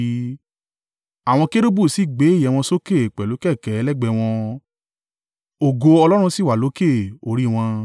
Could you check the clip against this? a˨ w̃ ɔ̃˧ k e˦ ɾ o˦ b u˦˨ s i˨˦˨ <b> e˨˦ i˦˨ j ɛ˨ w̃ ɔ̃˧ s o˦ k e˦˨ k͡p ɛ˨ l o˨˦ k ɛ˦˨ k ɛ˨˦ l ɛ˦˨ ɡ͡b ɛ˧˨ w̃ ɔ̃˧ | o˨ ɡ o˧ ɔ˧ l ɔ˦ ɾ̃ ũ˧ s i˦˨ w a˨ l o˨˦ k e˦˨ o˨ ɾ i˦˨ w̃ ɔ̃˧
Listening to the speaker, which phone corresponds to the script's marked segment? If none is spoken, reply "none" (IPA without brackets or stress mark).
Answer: ɡ͡b